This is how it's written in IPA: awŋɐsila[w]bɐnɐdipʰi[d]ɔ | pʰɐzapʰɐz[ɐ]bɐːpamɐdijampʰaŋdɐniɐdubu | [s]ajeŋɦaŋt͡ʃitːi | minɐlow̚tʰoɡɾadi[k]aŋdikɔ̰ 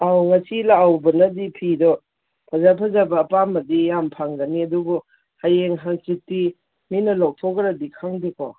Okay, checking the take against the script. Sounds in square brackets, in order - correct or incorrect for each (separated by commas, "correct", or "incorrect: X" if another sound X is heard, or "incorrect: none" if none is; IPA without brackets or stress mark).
correct, correct, incorrect: a, incorrect: h, incorrect: kʰ